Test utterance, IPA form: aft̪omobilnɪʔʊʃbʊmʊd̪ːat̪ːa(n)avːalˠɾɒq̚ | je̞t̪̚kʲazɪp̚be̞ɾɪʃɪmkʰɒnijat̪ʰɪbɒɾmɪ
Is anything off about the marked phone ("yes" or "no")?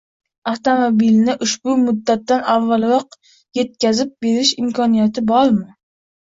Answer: no